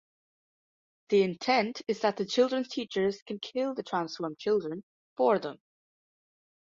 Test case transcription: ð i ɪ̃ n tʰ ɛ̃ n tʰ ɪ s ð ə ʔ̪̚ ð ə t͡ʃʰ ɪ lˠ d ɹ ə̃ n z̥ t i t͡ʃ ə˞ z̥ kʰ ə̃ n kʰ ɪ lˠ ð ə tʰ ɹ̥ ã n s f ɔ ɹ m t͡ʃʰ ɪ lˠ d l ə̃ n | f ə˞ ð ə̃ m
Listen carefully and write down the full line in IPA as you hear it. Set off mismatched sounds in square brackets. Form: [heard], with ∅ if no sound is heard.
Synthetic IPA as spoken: ð i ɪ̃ n tʰ ɛ̃ n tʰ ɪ [z] ð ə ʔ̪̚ ð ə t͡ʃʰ ɪ lˠ d ɹ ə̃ n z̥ [tʰ] i t͡ʃ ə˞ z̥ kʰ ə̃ n kʰ ɪ lˠ ð ə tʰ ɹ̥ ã n s f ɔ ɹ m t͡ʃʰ ɪ lˠ d [ɹ] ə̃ n | f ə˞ ð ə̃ m